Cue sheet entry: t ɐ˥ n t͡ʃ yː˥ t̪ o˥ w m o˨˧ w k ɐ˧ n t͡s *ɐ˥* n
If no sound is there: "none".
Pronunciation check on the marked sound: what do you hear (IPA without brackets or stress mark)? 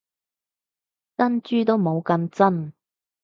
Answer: ɐ˥